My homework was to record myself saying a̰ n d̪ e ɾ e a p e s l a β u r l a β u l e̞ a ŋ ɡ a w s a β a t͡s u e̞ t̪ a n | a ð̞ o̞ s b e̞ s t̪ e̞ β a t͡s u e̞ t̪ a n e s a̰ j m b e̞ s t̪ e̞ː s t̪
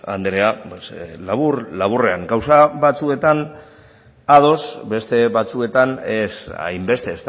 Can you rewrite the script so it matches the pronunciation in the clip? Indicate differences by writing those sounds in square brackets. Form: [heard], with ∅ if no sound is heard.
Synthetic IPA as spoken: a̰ n d̪ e ɾ e a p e s l a β u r l a β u [r] e̞ a ŋ ɡ a w s a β a t͡s u e̞ t̪ a n | a ð̞ o̞ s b e̞ s t̪ e̞ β a t͡s u e̞ t̪ a n e s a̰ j m b e̞ s t̪ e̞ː s t̪